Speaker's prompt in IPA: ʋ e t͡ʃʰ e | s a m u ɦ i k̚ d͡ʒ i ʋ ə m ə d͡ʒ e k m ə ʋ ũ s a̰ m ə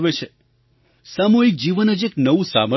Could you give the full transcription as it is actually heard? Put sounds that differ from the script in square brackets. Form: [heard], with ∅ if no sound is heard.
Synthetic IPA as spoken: ʋ e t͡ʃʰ e | s a m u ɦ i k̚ d͡ʒ i ʋ ə [n] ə d͡ʒ e k [n] ə ʋ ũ s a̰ m ə